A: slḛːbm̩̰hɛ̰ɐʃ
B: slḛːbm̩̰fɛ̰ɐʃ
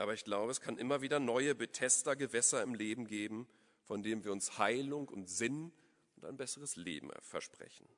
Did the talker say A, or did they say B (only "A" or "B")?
B